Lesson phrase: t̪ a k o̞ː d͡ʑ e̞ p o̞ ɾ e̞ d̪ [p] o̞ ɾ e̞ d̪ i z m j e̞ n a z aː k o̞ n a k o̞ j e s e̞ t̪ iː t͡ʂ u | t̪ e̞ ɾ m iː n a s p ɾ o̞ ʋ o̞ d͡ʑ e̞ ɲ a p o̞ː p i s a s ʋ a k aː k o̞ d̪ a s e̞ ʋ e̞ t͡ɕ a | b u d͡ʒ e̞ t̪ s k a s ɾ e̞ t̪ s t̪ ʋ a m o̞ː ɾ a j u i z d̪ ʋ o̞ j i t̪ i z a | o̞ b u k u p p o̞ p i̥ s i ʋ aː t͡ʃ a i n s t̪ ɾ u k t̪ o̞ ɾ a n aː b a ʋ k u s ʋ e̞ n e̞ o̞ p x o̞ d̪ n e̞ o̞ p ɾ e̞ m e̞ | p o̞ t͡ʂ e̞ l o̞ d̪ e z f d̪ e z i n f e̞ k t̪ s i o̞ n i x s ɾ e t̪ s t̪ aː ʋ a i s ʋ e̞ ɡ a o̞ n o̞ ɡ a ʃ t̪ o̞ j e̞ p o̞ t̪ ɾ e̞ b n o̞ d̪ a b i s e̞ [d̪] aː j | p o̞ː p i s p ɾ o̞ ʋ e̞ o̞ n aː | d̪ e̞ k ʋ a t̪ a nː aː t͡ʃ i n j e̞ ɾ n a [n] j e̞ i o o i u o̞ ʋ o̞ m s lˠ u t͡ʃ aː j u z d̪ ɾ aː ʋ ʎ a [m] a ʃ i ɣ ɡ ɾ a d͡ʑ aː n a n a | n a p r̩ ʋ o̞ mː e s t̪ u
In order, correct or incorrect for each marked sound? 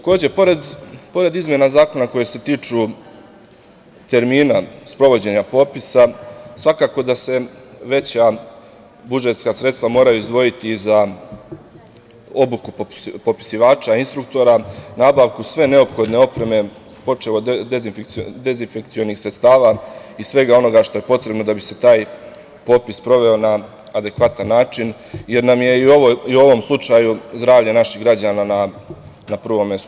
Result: correct, incorrect: t̪, incorrect: m, incorrect: n

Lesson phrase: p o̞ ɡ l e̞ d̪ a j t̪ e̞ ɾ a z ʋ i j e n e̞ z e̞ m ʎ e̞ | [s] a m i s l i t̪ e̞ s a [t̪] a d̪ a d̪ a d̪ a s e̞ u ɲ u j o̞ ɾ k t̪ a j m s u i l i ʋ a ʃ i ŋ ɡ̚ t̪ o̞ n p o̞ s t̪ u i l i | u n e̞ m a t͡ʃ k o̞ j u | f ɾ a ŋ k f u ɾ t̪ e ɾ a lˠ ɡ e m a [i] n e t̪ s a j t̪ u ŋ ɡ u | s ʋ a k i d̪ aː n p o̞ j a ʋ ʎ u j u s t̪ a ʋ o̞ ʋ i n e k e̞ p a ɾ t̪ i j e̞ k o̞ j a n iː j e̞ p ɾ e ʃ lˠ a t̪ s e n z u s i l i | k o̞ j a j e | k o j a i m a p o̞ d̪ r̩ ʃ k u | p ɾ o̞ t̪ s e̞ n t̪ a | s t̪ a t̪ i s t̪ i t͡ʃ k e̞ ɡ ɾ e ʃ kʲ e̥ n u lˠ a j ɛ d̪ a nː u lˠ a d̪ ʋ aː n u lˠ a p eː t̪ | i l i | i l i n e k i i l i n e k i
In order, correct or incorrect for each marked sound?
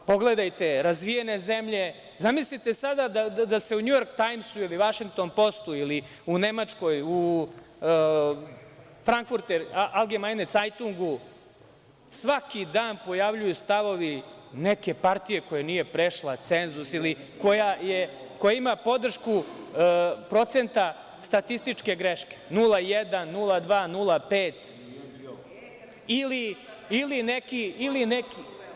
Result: incorrect: z, incorrect: d̪, incorrect: j

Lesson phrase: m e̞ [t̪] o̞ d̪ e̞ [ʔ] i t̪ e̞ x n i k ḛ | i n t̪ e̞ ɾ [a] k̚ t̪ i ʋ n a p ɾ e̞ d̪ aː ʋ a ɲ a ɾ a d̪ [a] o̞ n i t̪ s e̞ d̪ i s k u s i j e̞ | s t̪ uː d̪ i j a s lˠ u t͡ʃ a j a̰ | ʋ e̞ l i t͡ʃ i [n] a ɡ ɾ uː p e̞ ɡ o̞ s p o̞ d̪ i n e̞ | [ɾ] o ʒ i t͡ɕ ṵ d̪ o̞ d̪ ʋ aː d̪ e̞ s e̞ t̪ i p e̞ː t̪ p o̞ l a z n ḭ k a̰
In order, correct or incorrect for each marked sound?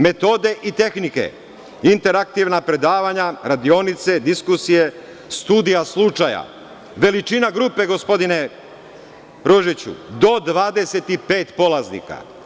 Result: correct, correct, correct, incorrect: i, correct, correct

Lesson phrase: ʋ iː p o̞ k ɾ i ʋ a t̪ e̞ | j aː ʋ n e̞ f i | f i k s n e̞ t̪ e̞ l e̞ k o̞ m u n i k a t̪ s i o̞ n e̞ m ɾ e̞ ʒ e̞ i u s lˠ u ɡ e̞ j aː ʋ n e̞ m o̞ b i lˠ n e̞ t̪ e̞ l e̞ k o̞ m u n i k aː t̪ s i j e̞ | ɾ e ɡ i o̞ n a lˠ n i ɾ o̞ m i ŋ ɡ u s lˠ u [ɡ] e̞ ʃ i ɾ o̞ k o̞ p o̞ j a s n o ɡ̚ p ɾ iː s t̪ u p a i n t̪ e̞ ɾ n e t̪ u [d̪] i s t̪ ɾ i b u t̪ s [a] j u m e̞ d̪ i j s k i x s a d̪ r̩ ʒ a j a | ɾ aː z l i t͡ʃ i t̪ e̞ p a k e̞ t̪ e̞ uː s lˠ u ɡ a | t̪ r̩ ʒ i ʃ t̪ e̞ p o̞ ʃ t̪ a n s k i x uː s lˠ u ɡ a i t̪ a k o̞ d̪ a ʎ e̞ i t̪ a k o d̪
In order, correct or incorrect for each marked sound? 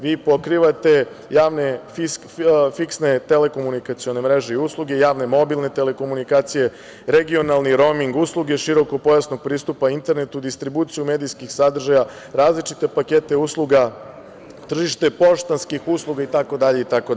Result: correct, correct, incorrect: i

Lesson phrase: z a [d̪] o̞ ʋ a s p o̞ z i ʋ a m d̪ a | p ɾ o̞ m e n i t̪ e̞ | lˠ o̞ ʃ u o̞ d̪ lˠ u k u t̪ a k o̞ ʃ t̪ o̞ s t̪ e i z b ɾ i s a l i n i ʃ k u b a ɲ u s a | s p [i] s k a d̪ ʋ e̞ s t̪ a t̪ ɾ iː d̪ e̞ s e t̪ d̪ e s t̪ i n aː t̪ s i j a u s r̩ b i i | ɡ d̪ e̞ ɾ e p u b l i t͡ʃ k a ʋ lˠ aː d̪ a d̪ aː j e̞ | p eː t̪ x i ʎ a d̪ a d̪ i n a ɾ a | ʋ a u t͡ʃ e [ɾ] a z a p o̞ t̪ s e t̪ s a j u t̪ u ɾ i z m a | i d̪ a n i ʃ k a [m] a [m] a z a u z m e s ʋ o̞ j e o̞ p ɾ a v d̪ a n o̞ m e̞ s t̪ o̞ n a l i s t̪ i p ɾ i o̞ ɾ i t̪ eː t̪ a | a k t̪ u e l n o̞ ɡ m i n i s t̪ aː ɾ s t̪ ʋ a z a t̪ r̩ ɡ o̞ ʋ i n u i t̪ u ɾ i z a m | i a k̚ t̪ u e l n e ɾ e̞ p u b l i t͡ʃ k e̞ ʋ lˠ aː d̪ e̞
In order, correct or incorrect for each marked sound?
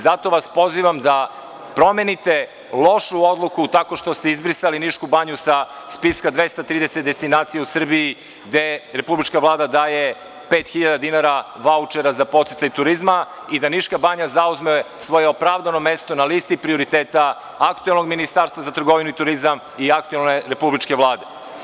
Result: incorrect: t̪, correct, correct, incorrect: b, incorrect: ɲ

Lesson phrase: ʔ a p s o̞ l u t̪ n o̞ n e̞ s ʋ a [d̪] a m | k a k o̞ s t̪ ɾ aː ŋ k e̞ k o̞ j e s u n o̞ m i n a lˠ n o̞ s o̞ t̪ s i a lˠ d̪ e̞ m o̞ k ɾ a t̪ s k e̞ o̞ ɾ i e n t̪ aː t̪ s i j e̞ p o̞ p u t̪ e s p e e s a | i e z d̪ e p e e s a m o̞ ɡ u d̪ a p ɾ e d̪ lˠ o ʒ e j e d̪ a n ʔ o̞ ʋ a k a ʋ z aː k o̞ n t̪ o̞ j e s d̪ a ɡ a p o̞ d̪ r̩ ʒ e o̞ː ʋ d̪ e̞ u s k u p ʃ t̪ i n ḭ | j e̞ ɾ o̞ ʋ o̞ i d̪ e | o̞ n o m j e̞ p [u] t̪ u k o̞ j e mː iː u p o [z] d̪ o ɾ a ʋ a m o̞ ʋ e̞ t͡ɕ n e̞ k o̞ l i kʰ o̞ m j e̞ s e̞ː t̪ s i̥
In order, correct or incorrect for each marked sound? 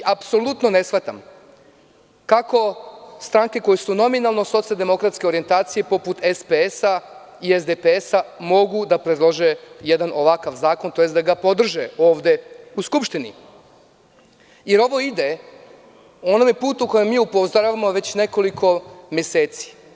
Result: incorrect: t̪, incorrect: uː, correct

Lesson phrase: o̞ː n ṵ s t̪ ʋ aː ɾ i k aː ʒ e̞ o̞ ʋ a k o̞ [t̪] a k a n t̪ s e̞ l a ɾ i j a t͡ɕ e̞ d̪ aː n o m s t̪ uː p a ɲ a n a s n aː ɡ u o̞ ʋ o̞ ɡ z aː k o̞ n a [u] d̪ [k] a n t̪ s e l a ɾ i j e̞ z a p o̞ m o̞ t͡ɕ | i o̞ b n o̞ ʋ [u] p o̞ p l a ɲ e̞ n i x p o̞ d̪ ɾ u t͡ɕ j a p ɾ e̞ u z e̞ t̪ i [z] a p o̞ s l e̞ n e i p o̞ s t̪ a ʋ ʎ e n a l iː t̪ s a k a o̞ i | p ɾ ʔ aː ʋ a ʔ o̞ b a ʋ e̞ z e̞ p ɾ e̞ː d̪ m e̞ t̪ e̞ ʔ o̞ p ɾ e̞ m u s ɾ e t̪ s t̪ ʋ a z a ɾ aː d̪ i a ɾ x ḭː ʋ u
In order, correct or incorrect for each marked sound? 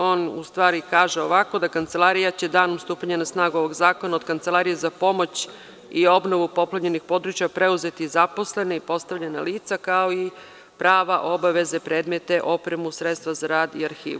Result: incorrect: d̪, incorrect: o, correct, correct, correct

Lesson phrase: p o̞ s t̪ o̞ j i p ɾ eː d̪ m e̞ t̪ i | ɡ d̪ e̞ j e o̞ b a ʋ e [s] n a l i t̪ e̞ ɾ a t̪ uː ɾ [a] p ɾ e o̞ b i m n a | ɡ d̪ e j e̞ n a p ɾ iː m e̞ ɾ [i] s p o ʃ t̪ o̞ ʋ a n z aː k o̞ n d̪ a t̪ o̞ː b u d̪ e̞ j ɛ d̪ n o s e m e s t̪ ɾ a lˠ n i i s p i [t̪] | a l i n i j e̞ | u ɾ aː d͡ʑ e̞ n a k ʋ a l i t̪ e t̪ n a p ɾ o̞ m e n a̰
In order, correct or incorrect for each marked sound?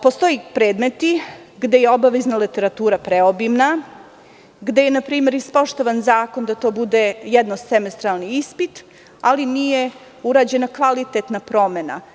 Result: incorrect: z, correct, correct, correct

